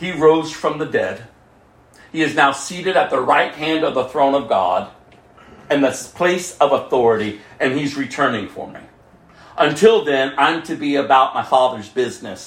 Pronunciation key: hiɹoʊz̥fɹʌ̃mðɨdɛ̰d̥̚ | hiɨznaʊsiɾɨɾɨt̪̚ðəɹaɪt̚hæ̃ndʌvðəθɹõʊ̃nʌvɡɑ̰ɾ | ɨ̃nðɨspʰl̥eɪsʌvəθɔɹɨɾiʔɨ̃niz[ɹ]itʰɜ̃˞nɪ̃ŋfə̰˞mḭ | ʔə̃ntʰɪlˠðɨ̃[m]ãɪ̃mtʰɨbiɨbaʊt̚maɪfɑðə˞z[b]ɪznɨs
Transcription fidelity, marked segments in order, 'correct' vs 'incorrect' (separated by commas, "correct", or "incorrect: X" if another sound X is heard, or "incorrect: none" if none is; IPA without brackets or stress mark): correct, incorrect: n, correct